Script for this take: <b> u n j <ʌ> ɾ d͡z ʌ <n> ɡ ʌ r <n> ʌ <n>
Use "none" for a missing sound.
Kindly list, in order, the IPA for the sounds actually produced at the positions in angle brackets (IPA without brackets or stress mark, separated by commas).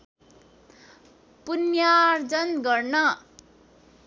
p, a, n, n, none